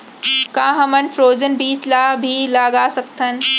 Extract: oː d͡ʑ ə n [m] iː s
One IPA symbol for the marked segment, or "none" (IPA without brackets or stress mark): b